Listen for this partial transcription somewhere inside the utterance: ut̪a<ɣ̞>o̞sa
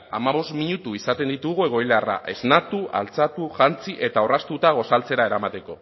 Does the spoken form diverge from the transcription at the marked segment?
no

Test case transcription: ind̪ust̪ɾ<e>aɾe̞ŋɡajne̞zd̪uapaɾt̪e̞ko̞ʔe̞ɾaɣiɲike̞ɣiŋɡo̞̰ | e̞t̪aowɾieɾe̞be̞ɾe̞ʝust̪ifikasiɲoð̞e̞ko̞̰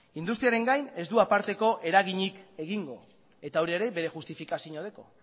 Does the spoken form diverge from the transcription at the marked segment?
yes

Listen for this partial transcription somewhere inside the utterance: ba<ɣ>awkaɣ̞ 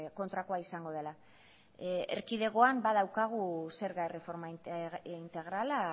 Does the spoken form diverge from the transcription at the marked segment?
yes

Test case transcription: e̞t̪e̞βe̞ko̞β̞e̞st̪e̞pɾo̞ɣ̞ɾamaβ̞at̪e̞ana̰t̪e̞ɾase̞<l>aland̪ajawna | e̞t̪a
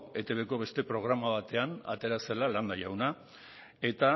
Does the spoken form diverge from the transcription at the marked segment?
no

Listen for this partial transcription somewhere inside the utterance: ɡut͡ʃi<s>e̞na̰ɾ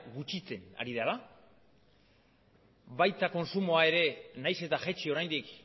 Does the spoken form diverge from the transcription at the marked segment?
yes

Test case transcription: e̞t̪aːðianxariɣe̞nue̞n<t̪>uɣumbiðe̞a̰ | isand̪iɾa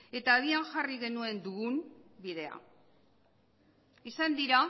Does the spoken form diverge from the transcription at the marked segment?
yes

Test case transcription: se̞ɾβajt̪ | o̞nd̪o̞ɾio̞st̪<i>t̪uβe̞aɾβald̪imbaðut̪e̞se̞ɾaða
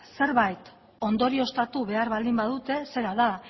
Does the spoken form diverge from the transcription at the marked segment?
yes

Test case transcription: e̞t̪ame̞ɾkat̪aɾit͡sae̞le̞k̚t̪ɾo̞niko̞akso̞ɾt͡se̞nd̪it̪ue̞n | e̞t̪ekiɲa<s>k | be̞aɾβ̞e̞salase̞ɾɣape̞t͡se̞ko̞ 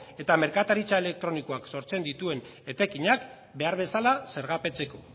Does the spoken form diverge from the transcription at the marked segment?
yes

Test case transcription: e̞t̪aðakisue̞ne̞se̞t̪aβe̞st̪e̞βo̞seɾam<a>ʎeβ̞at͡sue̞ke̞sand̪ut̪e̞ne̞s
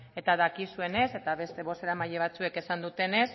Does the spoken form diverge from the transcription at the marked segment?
no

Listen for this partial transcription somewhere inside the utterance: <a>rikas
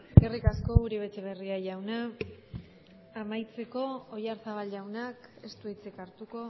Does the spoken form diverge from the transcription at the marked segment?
yes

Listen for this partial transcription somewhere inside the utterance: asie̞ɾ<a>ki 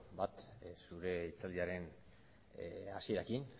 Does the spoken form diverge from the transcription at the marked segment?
no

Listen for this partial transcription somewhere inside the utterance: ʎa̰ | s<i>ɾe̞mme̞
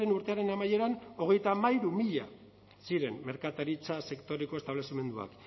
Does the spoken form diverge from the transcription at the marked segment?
no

